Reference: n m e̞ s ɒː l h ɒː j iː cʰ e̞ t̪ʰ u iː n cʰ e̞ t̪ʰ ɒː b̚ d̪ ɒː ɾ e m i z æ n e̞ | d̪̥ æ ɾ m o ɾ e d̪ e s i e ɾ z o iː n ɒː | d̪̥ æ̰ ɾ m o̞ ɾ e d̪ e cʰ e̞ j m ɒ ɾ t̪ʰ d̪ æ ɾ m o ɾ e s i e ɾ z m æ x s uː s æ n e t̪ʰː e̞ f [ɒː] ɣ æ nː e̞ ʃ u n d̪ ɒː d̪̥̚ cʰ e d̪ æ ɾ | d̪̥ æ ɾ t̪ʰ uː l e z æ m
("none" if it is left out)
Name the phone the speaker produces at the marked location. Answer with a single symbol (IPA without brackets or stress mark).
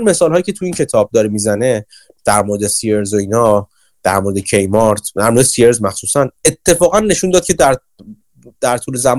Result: ɒː